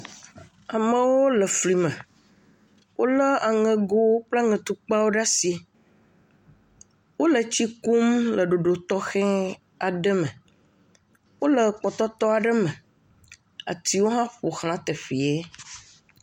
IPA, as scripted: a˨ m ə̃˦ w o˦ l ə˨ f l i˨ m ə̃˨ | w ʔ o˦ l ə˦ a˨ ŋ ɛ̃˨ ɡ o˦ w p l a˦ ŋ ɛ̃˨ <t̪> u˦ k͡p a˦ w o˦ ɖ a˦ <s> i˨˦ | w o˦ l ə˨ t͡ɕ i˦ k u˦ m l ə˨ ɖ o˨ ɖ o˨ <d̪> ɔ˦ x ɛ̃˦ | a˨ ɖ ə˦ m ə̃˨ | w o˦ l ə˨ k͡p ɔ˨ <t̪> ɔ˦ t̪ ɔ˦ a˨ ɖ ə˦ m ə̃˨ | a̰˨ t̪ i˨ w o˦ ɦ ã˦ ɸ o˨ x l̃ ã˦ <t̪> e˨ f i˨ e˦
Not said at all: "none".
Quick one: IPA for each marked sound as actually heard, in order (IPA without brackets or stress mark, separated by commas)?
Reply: t̪, s, t̪, t̪, t̪